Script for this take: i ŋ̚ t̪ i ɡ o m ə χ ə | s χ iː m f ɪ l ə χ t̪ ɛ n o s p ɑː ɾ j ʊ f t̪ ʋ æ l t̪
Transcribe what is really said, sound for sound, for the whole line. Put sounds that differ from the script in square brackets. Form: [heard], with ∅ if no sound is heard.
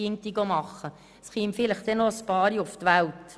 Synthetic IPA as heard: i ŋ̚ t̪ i ɡ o m [ɑ] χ ə | s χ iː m f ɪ l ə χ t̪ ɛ n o s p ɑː ɾ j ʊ f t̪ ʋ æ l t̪